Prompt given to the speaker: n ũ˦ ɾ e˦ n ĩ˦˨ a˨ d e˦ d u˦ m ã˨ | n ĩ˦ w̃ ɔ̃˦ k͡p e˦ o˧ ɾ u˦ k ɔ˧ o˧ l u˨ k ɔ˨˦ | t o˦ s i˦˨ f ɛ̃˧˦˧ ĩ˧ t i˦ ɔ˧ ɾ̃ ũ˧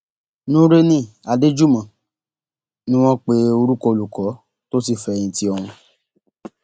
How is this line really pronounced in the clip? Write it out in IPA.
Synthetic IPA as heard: n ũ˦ ɾ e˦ n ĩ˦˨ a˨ d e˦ d͡ʒ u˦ m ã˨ | n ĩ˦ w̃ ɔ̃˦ k͡p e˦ o˧ ɾ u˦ k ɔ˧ o˧ l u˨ k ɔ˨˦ | t o˦ s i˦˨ f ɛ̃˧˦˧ ĩ˧ t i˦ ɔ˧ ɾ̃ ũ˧